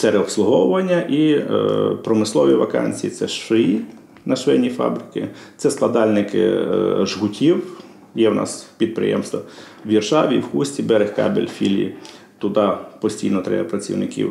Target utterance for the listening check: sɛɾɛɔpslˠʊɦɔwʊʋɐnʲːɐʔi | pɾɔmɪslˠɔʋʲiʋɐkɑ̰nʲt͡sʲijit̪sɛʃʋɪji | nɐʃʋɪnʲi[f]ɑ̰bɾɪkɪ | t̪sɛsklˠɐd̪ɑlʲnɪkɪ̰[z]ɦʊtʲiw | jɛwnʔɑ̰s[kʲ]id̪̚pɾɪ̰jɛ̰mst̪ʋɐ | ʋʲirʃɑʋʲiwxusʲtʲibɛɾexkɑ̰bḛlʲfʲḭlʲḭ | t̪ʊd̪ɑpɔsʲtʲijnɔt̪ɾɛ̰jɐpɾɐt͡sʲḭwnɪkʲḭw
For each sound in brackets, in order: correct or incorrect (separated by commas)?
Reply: correct, incorrect, incorrect